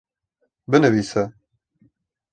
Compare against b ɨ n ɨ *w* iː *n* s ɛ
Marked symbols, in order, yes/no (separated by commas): no, no